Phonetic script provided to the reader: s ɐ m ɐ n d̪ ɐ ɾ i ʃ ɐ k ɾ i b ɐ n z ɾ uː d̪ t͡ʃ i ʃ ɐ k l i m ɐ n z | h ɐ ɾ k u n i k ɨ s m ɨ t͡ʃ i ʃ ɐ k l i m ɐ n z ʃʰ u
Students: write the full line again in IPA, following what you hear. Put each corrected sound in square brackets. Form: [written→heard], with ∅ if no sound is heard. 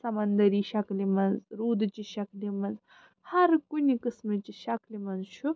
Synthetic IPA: s ɐ m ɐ n d̪ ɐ ɾ i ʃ ɐ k [ɾ→l] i [b→m] ɐ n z ɾ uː d̪ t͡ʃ i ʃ ɐ k l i m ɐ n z | h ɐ ɾ k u n i k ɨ s m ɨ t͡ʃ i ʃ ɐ k l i m ɐ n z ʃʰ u

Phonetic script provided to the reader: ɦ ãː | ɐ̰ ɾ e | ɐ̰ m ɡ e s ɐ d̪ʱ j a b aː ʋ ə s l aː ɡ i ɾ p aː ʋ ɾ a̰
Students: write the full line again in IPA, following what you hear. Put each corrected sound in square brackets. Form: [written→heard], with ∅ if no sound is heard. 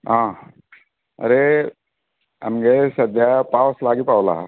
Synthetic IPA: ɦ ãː | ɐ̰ ɾ e | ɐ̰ m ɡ e s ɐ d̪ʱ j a [b→p] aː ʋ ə s l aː ɡ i [ɾ→∅] p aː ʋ [ɾ→l] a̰

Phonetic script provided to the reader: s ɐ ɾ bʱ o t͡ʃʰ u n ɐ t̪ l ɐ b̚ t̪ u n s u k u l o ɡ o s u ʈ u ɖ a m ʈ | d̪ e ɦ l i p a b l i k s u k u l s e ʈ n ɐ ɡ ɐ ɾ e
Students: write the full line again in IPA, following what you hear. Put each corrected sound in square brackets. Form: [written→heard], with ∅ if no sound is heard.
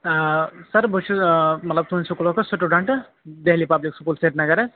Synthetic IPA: s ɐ ɾ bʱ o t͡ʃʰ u [n→m] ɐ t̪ l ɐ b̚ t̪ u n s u k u l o [ɡ→k] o s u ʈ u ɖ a [m→ɳ] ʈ | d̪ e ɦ l i p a b l i k s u k u l s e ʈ n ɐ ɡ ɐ ɾ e

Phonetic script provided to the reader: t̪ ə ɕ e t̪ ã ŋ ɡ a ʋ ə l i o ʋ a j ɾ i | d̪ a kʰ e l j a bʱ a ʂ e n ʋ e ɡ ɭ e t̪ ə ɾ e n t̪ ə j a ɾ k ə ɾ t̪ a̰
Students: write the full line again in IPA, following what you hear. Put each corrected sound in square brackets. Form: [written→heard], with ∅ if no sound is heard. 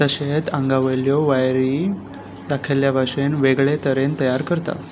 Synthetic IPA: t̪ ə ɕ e t̪ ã ŋ ɡ a ʋ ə l [i→j] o ʋ a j ɾ i | d̪ a kʰ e l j a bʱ a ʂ e n ʋ e ɡ ɭ e t̪ ə ɾ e n t̪ ə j a ɾ k ə ɾ t̪ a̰

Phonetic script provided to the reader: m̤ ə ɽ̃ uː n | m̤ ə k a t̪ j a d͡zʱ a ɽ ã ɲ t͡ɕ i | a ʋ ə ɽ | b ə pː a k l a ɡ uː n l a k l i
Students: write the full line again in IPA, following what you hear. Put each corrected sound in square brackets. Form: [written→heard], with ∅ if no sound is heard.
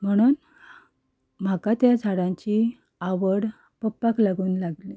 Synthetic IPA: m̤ ə ɽ̃ uː n | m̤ [ə→a] k a t̪ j a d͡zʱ a ɽ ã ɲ t͡ɕ i | a ʋ ə ɽ | [b→p] ə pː a k l a ɡ uː n l a [k→ɡ] l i

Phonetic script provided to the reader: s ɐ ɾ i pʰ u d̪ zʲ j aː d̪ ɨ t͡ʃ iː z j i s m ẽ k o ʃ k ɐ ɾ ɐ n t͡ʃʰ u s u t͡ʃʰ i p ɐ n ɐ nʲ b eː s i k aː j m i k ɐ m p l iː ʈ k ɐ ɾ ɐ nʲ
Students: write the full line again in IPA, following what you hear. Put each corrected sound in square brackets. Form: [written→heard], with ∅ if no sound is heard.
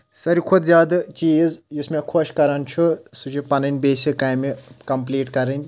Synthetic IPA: s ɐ ɾ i [pʰ→kʰ] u d̪ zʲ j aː d̪ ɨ t͡ʃ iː z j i s m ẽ [k→kʰ] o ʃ k ɐ ɾ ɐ n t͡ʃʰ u s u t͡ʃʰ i p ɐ n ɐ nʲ b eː s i k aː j m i k ɐ m p l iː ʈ k ɐ ɾ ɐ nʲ

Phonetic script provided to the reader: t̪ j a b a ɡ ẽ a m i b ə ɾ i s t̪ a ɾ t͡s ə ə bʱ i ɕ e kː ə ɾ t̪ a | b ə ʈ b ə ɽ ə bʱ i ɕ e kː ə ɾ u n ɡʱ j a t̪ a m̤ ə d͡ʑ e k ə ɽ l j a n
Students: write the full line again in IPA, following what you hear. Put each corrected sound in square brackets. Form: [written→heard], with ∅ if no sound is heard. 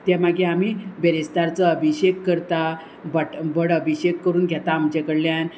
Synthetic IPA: t̪ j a [b→m] a ɡ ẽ a m i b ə ɾ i s t̪ a ɾ t͡s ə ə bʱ i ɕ e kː ə ɾ t̪ a | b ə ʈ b ə ɽ ə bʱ i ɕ e kː ə ɾ [u→uː] n ɡʱ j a t̪ a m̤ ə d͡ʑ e k ə ɽ l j a n

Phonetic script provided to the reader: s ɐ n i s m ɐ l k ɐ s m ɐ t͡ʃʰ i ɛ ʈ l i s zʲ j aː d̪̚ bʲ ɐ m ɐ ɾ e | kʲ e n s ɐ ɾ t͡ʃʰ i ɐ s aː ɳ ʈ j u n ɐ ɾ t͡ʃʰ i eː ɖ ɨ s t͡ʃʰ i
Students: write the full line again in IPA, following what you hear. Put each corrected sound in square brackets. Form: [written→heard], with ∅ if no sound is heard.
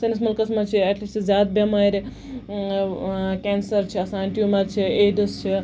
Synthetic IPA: s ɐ n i s m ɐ l k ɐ s m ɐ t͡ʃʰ i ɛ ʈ l i s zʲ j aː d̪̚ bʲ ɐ m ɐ ɾ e | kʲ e n s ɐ ɾ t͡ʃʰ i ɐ s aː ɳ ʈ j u [n→m] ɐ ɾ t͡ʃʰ i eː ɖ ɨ s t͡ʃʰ i

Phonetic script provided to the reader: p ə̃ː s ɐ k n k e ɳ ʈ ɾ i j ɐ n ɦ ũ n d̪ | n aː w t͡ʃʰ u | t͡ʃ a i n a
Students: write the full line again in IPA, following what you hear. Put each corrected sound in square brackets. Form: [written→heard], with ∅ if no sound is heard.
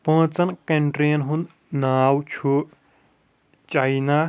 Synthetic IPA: p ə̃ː [s→t͡s] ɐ [k→∅] n k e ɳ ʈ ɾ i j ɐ n ɦ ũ n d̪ | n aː w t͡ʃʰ u | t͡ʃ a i n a

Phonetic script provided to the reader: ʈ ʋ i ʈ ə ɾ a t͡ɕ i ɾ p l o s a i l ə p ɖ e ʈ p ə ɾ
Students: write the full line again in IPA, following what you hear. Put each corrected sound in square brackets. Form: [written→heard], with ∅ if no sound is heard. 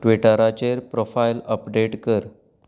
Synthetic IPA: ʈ ʋ i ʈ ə ɾ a t͡ɕ [i→e] ɾ p [l→ɾ] o [s→f] a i l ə p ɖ e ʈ [p→k] ə ɾ

